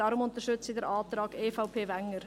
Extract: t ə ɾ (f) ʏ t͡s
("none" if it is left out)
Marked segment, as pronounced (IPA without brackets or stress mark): ʃ